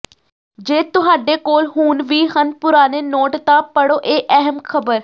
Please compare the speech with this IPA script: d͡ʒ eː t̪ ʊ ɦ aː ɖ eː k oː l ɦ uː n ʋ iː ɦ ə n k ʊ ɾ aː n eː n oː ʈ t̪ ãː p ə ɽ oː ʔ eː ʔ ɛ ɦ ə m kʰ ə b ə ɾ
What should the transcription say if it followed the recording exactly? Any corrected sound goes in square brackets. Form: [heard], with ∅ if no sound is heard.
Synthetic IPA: d͡ʒ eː t̪ ʊ ɦ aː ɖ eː k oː l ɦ uː n ʋ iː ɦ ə n [p] ʊ ɾ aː n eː n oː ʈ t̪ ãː p ə ɽ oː ʔ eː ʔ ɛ ɦ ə m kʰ ə b ə ɾ